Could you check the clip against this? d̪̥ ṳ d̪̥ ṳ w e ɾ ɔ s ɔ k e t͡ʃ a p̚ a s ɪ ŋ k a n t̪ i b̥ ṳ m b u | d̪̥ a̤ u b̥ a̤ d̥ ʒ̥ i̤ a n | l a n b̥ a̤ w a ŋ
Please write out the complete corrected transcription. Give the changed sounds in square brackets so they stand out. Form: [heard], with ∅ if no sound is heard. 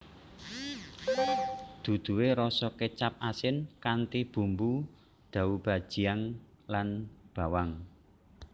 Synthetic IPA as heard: d̪̥ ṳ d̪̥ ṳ w e ɾ ɔ s ɔ k e t͡ʃ a p̚ a s ɪ [n] k a n t̪ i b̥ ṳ m b u | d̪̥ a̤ u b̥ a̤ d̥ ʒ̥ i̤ a [ŋ] | l a n b̥ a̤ w a ŋ